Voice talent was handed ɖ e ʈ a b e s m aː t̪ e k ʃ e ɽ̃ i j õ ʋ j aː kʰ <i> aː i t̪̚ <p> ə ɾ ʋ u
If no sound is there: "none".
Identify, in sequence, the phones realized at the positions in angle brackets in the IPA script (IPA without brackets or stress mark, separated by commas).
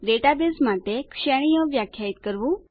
j, k